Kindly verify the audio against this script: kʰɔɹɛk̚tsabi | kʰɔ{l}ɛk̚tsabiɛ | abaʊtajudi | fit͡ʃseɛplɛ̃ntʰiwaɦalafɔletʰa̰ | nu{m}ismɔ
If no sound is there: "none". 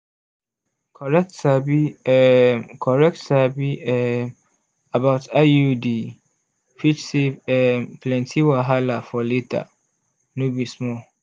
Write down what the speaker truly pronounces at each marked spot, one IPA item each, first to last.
ɹ, b

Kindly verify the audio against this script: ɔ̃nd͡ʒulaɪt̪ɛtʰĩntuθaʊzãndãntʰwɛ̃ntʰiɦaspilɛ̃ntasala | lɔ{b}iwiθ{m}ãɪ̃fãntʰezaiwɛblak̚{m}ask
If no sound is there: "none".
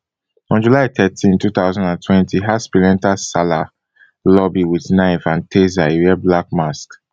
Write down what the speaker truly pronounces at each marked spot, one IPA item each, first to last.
b, n, m

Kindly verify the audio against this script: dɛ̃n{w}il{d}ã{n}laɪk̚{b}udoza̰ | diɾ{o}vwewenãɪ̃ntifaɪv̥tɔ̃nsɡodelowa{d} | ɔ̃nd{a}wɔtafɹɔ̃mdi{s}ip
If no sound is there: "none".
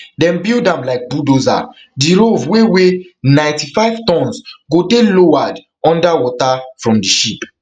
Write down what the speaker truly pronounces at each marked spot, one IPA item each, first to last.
b, d, m, b, o, d, a, ʃ

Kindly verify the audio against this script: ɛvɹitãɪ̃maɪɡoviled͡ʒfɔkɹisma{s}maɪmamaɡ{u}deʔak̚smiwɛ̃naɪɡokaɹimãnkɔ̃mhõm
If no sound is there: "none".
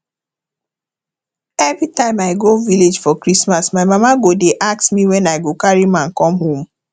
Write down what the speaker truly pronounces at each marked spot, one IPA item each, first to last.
s, o

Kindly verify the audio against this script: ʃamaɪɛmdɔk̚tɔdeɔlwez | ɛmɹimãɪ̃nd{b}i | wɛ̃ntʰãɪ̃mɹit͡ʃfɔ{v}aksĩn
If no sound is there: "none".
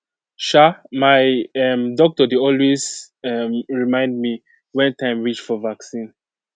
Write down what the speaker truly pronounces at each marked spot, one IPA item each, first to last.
m, v

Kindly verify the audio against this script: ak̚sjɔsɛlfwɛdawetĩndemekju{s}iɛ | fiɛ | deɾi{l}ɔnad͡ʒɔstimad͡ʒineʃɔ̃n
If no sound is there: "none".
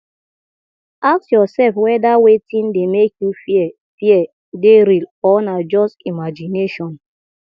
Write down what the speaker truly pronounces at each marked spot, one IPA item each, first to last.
f, l

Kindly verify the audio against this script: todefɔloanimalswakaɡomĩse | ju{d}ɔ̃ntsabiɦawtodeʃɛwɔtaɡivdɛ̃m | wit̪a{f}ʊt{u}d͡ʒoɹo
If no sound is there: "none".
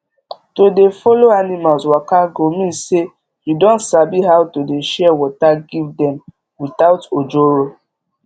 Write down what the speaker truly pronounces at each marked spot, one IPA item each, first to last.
d, none, o

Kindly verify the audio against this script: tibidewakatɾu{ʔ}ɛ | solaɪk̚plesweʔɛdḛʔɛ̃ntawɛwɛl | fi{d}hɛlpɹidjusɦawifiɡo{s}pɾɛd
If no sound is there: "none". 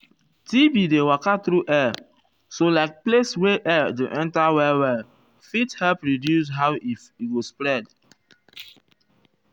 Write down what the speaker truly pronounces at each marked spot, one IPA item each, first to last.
ʔ, t, s

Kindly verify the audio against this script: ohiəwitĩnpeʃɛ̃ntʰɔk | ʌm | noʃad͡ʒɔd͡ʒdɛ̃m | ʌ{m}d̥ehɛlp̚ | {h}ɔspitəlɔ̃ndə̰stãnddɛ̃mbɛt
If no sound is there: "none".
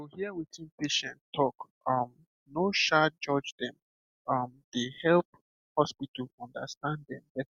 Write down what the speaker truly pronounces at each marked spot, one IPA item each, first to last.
m, h

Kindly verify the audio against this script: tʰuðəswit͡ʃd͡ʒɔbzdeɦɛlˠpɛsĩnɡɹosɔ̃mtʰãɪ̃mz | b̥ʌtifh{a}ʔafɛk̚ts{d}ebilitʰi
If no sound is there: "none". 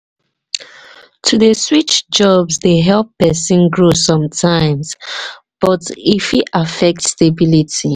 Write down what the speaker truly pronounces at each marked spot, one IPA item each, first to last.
i, t

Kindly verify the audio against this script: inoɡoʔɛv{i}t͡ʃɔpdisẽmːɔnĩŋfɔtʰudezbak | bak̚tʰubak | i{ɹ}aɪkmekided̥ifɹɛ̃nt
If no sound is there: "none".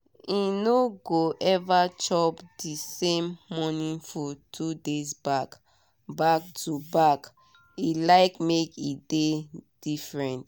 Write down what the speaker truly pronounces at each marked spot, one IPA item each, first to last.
a, l

